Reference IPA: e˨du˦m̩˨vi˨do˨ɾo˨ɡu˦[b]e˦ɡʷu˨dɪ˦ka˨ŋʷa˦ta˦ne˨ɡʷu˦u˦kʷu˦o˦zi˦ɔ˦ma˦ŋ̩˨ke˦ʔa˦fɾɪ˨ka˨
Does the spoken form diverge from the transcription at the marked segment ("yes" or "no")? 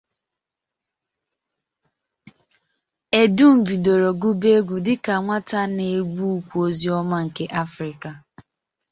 no